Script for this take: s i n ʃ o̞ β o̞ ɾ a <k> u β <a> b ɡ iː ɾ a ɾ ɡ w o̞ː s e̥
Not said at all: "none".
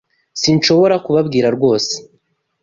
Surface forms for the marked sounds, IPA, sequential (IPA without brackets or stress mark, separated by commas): k, a